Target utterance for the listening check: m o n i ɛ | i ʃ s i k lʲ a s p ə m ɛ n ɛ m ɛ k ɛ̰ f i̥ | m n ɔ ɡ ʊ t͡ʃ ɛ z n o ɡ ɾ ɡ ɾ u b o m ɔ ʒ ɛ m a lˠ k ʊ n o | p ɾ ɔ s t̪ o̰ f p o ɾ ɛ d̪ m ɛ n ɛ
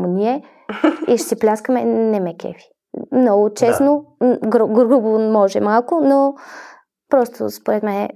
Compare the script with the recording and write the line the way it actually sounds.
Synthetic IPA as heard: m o n i ɛ | i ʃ s i p lʲ a s k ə m ɛ n ɛ m ɛ k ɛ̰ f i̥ | m n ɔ ɡ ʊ t͡ʃ ɛ s n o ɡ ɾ ɡ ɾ u b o m ɔ ʒ ɛ m a lˠ k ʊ n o | p ɾ ɔ s t̪ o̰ s p o ɾ ɛ t̪ m ɛ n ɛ